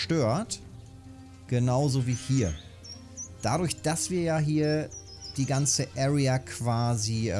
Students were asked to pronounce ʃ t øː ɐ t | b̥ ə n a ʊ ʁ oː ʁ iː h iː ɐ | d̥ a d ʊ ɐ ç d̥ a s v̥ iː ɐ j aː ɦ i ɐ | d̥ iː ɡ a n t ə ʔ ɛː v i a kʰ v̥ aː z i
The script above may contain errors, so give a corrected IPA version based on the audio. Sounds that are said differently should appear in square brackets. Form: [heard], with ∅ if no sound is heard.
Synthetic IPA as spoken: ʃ t øː ɐ t | [ɡ̥] ə n a ʊ [z] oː [v] iː h iː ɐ | d̥ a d ʊ ɐ ç d̥ a s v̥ iː ɐ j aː ɦ [iː] ɐ | d̥ iː ɡ a n [t͡s] ə ʔ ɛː [ʁ] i a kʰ v̥ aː z i